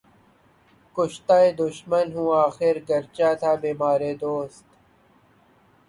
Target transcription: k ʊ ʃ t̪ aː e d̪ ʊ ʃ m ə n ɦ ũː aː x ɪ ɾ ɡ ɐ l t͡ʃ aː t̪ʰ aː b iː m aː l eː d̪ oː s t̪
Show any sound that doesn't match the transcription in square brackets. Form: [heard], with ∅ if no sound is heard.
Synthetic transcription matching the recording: k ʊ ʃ t̪ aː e d̪ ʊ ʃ m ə n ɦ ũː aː x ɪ ɾ ɡ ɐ [ɾ] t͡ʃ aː t̪ʰ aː b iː m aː [ɾ] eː d̪ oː s t̪